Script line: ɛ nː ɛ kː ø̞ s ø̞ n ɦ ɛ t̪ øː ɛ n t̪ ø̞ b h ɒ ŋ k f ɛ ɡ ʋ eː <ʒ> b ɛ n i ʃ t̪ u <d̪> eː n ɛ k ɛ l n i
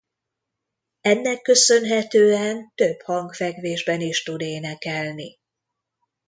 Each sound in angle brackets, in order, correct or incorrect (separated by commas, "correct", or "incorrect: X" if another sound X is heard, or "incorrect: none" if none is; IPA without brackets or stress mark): correct, correct